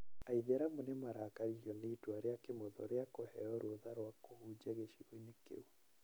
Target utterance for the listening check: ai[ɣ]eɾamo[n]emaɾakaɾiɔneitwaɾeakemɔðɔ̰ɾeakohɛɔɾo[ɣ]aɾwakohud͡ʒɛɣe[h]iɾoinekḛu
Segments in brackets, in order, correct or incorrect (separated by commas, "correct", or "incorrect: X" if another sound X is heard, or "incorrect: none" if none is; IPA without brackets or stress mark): incorrect: ð, correct, incorrect: ð, incorrect: ʃ